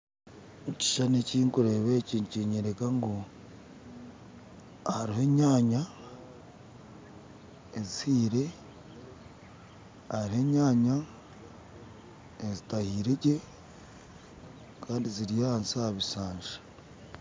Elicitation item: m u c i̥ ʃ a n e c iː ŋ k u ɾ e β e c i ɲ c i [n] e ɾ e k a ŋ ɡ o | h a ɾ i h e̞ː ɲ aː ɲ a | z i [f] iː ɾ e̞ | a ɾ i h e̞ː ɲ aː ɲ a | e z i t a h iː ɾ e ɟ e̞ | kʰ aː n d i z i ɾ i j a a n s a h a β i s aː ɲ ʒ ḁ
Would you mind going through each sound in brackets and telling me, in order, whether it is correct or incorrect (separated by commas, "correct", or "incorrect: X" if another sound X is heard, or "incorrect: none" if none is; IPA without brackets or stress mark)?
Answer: incorrect: ɲ, incorrect: h